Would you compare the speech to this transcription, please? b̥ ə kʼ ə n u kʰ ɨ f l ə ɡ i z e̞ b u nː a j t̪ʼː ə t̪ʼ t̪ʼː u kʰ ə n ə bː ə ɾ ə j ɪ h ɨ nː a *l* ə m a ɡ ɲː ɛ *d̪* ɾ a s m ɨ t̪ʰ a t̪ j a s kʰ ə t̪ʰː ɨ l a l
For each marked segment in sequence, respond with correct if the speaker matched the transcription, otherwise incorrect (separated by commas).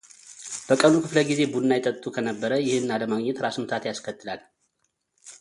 correct, incorrect